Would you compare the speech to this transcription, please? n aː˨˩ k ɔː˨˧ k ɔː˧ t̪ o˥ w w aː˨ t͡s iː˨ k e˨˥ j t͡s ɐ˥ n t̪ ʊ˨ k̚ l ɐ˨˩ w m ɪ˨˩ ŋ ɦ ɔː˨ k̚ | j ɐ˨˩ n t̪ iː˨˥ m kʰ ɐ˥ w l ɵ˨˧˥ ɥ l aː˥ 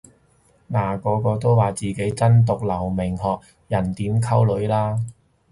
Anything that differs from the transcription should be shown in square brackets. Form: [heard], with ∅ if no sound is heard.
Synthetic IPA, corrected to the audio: n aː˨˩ k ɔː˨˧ k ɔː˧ t̪ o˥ w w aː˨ t͡s iː˨ k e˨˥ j t͡s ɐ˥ n t̪ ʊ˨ k̚ l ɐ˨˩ w m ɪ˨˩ ŋ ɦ ɔː˨ k̚ | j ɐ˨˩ n t̪ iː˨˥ m kʰ ɐ˥ w l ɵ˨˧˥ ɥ l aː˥